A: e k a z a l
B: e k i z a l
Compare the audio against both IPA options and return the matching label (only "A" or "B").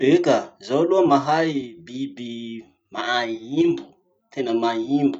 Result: A